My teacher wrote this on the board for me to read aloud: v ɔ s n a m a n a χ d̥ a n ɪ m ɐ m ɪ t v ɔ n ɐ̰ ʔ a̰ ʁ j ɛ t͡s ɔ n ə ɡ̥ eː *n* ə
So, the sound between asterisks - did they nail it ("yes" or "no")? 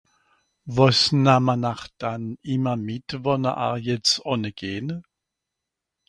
yes